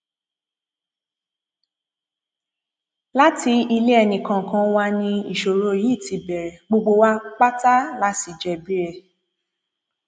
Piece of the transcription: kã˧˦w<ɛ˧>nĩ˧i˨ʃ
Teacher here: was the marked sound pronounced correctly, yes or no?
no